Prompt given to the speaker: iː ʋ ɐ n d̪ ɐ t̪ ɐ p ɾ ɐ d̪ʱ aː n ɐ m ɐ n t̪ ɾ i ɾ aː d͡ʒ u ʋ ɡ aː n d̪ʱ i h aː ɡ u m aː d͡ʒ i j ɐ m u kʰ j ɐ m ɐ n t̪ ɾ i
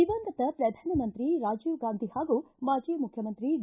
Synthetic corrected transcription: i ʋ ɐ n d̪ ɐ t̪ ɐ p ɾ ɐ d̪ʱ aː n ɐ m ɐ n t̪ ɾ i ɾ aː d͡ʒ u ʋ ɡ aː n d̪ʱ i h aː ɡ u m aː d͡ʒ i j ɐ m u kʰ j ɐ m ɐ n t̪ ɾ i